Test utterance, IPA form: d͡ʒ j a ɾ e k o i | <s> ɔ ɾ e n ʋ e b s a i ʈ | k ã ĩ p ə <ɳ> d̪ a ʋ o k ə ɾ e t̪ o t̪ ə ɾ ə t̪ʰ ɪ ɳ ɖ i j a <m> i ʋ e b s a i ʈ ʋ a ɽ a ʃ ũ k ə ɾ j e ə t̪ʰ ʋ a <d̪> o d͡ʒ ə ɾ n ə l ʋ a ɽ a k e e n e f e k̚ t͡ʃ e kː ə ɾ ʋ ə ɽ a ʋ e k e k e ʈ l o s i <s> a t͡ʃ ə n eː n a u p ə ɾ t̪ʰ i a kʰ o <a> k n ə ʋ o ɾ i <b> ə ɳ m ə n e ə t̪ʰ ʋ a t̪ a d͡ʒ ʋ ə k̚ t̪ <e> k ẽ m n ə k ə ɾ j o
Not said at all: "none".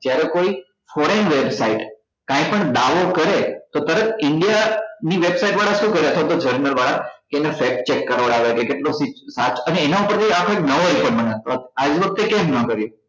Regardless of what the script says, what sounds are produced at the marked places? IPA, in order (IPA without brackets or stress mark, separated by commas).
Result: f, ɳ, n, t̪, s, e, p, e